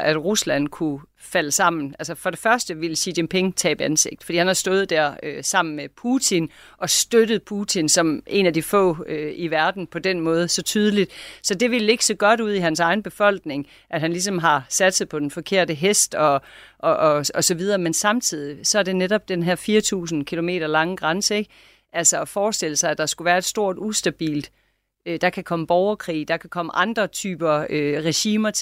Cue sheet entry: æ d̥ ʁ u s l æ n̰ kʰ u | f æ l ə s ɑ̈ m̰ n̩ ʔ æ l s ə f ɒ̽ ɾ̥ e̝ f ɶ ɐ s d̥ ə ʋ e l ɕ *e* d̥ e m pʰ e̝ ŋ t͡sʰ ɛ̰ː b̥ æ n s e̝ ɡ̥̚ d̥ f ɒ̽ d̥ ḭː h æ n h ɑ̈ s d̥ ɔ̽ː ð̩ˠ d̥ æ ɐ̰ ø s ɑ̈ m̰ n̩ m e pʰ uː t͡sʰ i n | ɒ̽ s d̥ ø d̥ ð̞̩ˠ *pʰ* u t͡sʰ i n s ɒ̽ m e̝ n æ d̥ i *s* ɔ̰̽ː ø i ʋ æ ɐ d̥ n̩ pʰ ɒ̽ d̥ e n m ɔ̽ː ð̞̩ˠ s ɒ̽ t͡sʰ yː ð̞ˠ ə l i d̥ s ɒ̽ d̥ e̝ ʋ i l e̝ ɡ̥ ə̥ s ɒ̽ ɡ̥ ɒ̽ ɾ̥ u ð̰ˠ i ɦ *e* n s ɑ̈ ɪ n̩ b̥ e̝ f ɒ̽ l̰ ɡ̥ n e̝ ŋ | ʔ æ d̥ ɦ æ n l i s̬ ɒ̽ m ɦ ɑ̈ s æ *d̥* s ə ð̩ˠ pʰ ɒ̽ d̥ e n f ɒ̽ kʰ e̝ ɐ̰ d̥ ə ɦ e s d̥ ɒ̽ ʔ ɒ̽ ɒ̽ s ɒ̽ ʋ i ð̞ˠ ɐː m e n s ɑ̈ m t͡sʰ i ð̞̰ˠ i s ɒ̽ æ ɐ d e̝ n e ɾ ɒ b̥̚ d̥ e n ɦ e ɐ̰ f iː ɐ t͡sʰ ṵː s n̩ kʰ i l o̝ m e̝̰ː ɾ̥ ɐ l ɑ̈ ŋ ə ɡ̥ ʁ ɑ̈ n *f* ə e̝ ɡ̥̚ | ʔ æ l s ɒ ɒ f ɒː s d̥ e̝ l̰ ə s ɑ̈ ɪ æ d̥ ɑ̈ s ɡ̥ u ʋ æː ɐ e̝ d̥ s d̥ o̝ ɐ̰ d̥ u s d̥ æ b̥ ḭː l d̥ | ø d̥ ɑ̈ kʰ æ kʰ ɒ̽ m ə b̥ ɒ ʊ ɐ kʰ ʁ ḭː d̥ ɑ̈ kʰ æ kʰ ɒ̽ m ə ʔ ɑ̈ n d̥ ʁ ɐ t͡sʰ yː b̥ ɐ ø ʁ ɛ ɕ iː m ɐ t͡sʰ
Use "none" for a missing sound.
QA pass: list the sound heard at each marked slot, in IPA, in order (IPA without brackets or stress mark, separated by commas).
i, pʰ, f, æ, d̥, s